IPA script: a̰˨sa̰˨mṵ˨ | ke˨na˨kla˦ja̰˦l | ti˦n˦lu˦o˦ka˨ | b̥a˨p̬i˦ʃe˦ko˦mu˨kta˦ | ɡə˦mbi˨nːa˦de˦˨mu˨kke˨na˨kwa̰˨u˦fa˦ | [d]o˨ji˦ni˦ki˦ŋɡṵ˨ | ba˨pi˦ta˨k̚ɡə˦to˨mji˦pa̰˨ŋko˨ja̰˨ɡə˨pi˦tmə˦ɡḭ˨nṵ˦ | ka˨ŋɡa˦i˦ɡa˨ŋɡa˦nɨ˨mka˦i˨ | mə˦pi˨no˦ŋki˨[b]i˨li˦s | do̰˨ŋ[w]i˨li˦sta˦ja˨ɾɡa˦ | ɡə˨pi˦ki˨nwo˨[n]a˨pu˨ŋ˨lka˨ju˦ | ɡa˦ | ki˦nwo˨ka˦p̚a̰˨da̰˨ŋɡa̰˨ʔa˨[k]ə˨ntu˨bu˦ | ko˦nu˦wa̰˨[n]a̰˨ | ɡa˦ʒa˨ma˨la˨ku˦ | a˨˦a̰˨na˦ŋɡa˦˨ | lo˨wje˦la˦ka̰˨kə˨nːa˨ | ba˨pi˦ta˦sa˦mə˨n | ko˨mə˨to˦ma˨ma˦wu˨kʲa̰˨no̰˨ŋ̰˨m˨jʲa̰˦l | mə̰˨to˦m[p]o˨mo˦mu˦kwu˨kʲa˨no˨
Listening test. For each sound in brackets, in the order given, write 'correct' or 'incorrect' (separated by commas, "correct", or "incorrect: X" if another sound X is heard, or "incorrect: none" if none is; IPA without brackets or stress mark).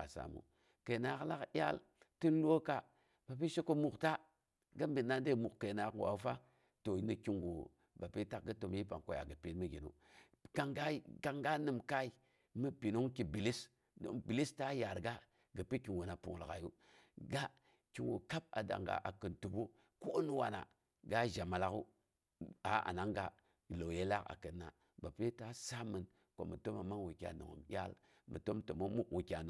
incorrect: t, correct, incorrect: b, correct, correct, correct, incorrect: t